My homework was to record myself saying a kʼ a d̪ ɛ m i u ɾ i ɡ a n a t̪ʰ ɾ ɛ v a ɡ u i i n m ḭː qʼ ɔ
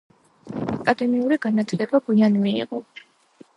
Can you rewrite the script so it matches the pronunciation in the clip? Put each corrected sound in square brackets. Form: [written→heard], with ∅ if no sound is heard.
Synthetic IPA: a kʼ a d̪ ɛ m i u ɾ i ɡ a n a t̪ʰ [ɾ→l] ɛ [v→b] a ɡ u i [i→a] n m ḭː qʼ ɔ